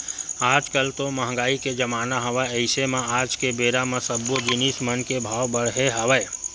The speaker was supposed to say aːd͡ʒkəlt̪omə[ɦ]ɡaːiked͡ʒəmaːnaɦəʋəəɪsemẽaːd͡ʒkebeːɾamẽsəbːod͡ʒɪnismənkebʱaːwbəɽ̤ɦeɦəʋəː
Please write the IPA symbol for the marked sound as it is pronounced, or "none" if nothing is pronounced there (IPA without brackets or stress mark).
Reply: ɦ